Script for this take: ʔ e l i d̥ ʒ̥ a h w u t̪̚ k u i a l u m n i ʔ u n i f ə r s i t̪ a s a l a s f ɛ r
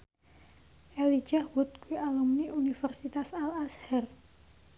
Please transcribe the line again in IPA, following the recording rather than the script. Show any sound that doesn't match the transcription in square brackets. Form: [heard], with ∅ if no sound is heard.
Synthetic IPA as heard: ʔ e l i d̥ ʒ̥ a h w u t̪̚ k u i a l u m n i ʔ u n i f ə r s i t̪ a s a l a s [h] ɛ r